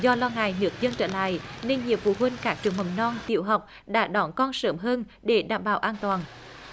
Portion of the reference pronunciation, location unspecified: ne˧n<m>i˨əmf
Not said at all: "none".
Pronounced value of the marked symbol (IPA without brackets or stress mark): ɲ